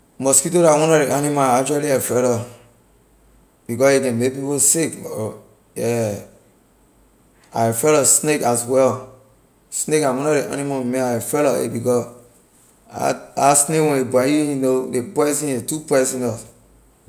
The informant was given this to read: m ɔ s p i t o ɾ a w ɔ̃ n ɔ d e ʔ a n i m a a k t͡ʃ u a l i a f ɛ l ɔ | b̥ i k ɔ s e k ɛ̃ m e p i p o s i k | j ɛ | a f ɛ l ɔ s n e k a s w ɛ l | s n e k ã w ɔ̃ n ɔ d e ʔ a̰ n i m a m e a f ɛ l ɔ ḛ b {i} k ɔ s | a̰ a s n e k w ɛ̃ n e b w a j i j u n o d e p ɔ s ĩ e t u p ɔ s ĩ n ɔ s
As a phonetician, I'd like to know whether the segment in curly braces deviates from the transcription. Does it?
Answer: no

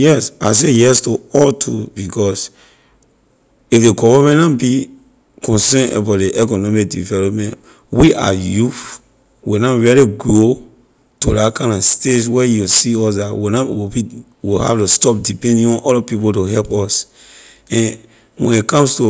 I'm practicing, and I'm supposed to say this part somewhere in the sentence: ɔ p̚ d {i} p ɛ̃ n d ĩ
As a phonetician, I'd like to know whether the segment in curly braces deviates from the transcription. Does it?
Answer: no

